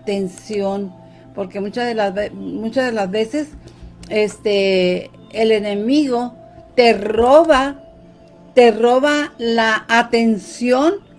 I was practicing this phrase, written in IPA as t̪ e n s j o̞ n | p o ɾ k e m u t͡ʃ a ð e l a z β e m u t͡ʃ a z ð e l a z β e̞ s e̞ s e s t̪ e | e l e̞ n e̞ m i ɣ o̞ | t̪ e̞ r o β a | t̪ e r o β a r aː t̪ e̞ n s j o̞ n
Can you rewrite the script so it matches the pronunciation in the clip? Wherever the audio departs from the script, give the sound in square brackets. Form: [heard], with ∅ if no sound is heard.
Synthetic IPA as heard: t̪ e n s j o̞ n | p o ɾ k e m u t͡ʃ a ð e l a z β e m u t͡ʃ a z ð e l a z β e̞ s e̞ s e s t̪ e | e l e̞ n e̞ m i ɣ o̞ | t̪ e̞ r o β a | t̪ e r o β a [l] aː t̪ e̞ n s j o̞ n

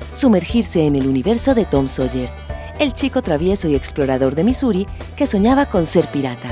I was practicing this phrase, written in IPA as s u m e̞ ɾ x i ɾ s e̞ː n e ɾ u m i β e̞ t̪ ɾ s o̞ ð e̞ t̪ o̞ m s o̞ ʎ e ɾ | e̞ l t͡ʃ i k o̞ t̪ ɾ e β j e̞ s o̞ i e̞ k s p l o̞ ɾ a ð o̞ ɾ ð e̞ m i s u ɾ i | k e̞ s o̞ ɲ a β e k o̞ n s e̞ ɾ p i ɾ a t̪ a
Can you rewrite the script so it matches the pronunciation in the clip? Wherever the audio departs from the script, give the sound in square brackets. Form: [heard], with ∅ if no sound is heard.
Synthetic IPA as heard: s u m e̞ ɾ x i ɾ s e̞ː n e [l] u [n] i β e̞ [∅] ɾ s o̞ ð e̞ t̪ o̞ m s o̞ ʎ e ɾ | e̞ l t͡ʃ i k o̞ t̪ ɾ [a] β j e̞ s o̞ i e̞ k s p l o̞ ɾ a ð o̞ ɾ ð e̞ m i s u ɾ i | k e̞ s o̞ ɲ a β [a] k o̞ n s e̞ ɾ p i ɾ a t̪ a

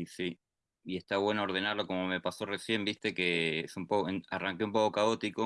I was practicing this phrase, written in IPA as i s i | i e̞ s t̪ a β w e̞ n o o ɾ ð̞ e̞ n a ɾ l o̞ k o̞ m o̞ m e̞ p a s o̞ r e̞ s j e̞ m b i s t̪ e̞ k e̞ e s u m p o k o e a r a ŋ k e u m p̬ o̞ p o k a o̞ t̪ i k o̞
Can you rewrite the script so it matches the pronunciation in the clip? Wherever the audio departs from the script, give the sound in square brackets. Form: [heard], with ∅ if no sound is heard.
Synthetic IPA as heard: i s i | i e̞ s t̪ a β w e̞ n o o ɾ ð̞ e̞ n a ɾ l o̞ k o̞ m o̞ m e̞ p a s o̞ r e̞ s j e̞ m b i s t̪ e̞ k e̞ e s u m p o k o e a r a ŋ k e u m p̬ o̞ [k] o k a o̞ t̪ i k o̞

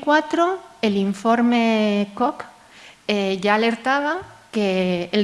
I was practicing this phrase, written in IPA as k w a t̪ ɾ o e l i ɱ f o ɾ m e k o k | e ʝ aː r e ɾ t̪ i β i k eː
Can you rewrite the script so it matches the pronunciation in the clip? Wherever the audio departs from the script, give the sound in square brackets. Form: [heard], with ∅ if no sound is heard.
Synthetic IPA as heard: k w a t̪ ɾ o e l i ɱ f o ɾ m e k o k | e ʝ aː [l] e ɾ t̪ [a] β [a] k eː

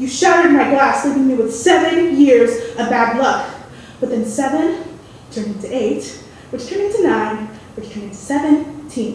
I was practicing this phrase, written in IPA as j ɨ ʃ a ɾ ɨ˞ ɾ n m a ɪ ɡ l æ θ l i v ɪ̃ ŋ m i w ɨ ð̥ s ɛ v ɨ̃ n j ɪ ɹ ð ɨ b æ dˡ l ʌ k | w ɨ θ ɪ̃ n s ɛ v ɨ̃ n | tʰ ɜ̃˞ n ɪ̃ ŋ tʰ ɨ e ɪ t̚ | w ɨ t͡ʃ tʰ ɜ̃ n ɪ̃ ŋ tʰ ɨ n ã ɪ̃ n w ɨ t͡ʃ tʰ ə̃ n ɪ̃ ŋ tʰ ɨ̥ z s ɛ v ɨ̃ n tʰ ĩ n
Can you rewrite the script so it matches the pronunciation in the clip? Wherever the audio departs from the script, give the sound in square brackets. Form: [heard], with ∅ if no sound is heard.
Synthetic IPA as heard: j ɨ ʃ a ɾ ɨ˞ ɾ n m a ɪ ɡ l æ [s] l i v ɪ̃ ŋ m i w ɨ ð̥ s ɛ v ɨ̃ n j ɪ ɹ [z] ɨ b æ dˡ l ʌ k | w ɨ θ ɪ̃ n s ɛ v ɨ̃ n | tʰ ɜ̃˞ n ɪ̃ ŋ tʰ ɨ e ɪ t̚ | w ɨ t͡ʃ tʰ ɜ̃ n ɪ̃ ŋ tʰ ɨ n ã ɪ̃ n w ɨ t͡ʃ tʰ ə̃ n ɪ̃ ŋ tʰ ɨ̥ [∅] s ɛ v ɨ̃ n tʰ ĩ n

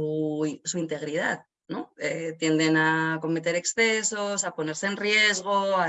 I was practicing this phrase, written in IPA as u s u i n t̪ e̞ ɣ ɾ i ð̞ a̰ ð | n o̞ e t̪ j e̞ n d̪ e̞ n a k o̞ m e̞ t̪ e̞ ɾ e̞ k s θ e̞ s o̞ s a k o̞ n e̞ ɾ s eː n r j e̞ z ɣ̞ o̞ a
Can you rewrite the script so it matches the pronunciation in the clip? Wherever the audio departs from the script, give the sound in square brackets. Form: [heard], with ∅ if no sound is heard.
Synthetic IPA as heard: u s u i n t̪ e̞ ɣ ɾ i ð̞ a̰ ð | n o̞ e t̪ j e̞ n d̪ e̞ n a k o̞ m e̞ t̪ e̞ ɾ e̞ k s θ e̞ s o̞ s a [p] o̞ n e̞ ɾ s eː n r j e̞ z ɣ̞ o̞ a

